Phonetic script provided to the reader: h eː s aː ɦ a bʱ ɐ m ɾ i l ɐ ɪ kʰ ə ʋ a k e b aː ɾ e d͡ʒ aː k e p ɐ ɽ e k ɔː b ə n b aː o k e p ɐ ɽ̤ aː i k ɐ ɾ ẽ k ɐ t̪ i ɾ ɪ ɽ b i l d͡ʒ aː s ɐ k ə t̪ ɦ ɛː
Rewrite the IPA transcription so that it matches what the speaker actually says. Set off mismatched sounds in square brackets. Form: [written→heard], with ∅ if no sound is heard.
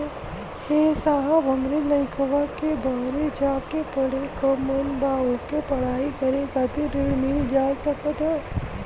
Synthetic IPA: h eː s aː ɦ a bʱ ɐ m ɾ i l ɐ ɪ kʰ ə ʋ a k e b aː ɾ e d͡ʒ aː k e p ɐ ɽ e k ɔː [b→m] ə n b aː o k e p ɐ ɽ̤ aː i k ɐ ɾ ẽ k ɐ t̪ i ɾ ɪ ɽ [b→m] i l d͡ʒ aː s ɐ k ə t̪ ɦ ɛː